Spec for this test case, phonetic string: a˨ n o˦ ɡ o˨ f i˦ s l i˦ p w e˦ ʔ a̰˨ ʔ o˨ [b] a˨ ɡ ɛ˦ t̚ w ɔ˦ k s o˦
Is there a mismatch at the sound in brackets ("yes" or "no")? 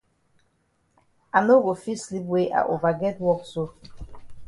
yes